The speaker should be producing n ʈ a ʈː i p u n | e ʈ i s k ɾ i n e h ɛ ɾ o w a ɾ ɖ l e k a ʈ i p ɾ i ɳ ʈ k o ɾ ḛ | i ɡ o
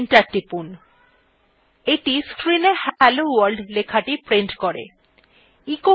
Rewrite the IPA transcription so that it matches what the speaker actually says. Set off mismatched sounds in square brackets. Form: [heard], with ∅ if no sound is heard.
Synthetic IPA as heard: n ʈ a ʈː i p u n | e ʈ i s k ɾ i n e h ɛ [l] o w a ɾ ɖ l e [kʰ] a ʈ i p ɾ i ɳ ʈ k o ɾ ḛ | i [k] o